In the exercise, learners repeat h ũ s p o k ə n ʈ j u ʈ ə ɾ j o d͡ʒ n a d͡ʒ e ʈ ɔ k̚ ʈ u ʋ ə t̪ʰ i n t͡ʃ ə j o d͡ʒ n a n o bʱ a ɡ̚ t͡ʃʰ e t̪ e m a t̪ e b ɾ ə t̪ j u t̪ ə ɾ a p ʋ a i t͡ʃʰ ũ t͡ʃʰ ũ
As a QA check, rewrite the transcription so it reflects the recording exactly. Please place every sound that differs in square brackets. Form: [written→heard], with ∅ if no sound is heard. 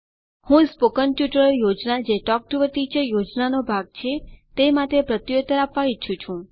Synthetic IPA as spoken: h ũ s p o k ə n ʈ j u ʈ ə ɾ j o d͡ʒ n a d͡ʒ e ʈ ɔ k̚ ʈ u ʋ ə [t̪ʰ→t̪] i [n→∅] t͡ʃ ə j o d͡ʒ n a n o bʱ a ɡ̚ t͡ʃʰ e t̪ e m a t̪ e [b→p] ɾ ə t̪ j [u→o] t̪ ə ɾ a p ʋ a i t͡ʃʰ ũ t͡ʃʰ ũ